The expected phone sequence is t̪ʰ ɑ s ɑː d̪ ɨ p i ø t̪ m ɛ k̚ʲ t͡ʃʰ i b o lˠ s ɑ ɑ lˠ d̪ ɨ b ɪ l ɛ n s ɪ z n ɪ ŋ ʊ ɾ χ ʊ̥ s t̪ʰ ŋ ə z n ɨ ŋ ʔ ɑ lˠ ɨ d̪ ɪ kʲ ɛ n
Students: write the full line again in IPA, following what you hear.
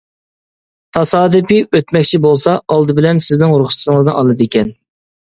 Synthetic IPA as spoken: t̪ʰ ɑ s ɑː d̪ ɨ p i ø t̪ m ɛ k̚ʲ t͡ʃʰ i b o lˠ s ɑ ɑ lˠ d̪ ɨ b ɪ l ɛ n s ɪ z n ɪ ŋ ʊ ɾ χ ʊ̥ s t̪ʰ ŋ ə z n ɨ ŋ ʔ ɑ lˠ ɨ d̪ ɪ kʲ ɛ n